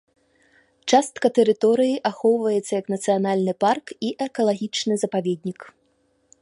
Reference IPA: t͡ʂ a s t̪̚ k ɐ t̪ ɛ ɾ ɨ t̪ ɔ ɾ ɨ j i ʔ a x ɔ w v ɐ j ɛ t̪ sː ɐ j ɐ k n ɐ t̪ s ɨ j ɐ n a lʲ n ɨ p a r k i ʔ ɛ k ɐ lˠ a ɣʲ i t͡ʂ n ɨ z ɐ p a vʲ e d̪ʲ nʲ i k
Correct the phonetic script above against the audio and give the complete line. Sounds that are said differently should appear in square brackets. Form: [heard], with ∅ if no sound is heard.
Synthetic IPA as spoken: t͡ʂ a s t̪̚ k ɐ t̪ ɛ ɾ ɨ t̪ ɔ ɾ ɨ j i ʔ a x ɔ w v ɐ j ɛ t̪ sː ɐ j ɐ k n ɐ t̪ s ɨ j [a] n a lʲ n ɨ p a r k i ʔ ɛ k ɐ lˠ a ɣʲ i t͡ʂ n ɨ z ɐ p a vʲ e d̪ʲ nʲ i k